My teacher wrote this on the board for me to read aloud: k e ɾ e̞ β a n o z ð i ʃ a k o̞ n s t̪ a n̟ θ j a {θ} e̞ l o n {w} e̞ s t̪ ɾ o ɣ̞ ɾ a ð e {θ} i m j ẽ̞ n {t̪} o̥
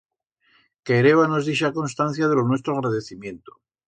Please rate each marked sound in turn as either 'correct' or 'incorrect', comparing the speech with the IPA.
incorrect: ð, correct, correct, correct

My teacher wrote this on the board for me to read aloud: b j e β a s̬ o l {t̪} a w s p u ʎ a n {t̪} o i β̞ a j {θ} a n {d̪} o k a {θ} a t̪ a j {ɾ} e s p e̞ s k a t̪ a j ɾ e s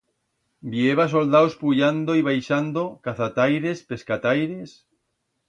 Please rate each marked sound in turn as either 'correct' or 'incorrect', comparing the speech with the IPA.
incorrect: d̪, incorrect: d̪, incorrect: ʃ, correct, correct, correct

